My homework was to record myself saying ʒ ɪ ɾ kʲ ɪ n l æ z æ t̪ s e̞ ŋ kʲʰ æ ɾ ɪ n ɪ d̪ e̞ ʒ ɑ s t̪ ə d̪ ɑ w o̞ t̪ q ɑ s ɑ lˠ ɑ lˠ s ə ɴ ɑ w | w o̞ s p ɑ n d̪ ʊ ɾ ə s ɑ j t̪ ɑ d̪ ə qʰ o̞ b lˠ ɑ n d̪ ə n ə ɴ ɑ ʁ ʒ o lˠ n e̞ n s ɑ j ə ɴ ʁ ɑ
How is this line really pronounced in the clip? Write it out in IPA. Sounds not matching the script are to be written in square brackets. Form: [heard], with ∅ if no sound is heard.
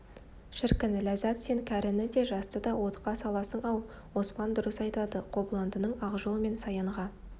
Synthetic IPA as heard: [ʃ] ɪ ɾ kʲ ɪ n l æ z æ t̪ s e̞ ŋ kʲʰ æ ɾ ɪ n ɪ d̪ e̞ ʒ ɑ s t̪ ə d̪ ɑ w o̞ t̪ q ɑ s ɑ lˠ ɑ [∅] s ə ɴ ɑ w | w o̞ s p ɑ n d̪ ʊ ɾ ə s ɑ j t̪ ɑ d̪ ə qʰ o̞ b lˠ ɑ n d̪ ə n ə ɴ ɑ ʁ ʒ o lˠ [m] e̞ n s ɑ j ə ɴ ʁ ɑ